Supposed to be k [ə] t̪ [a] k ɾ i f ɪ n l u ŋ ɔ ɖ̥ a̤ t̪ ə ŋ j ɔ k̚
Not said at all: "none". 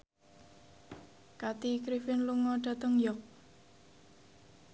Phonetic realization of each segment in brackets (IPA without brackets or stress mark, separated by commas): a, i